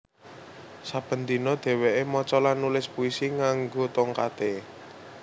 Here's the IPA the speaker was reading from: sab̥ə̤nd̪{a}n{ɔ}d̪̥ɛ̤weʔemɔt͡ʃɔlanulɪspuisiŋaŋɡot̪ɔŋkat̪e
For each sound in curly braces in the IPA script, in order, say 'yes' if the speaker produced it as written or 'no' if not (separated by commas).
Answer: no, yes